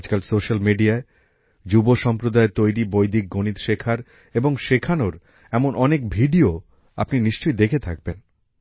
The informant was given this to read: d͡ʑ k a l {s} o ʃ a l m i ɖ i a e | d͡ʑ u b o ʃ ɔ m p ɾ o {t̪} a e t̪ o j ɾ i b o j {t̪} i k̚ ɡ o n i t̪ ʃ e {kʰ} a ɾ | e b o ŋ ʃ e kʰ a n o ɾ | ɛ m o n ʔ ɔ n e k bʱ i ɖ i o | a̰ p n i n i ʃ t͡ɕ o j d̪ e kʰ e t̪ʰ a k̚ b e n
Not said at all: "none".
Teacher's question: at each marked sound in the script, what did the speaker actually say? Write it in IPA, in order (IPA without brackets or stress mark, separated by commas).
s, d̪, d̪, kʰ